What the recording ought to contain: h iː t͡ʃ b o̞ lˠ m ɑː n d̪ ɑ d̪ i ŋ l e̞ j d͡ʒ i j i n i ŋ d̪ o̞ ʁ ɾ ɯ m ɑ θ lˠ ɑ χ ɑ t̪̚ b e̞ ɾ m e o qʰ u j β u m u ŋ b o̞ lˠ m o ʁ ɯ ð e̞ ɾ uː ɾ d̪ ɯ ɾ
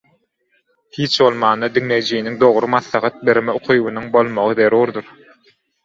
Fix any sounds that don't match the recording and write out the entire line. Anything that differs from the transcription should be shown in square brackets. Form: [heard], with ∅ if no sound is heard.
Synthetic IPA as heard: h iː t͡ʃ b o̞ lˠ m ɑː n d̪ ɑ d̪ i ŋ l e̞ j d͡ʒ i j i n i ŋ d̪ o̞ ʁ ɾ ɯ m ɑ θ lˠ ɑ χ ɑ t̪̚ b e̞ ɾ m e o qʰ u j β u [n] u ŋ b o̞ lˠ m o ʁ ɯ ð e̞ ɾ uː ɾ d̪ [u] ɾ